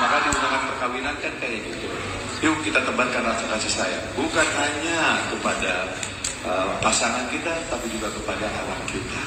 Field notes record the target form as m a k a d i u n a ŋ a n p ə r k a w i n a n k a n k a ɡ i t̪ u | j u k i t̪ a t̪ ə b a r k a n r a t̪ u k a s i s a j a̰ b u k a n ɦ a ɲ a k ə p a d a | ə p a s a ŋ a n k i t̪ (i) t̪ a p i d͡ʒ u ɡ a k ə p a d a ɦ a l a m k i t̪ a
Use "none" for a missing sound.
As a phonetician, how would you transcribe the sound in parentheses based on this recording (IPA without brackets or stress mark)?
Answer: a